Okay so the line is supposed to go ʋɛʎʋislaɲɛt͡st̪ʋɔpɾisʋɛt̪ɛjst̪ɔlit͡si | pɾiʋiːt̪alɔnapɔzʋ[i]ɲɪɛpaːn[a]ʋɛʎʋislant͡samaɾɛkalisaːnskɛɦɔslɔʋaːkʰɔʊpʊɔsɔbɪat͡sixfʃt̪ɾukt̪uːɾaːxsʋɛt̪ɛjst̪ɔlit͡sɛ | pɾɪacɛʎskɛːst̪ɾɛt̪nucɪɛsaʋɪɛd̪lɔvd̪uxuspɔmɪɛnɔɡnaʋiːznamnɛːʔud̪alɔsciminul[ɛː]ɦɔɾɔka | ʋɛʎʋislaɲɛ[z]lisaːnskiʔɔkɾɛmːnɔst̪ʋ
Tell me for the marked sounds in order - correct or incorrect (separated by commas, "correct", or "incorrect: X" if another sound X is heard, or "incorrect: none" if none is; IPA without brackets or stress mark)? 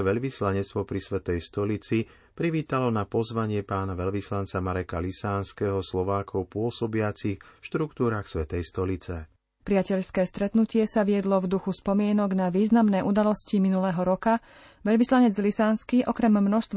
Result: incorrect: a, correct, correct, incorrect: d͡z